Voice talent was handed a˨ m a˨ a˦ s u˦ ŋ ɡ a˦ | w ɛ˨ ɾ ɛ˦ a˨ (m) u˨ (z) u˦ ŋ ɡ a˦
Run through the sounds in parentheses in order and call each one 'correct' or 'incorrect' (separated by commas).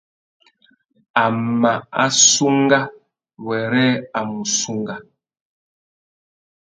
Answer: correct, incorrect